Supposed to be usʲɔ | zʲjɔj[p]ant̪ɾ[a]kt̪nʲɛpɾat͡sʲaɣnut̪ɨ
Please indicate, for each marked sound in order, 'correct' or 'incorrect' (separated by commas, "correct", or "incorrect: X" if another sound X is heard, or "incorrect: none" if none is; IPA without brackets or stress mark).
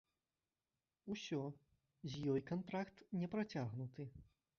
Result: incorrect: k, correct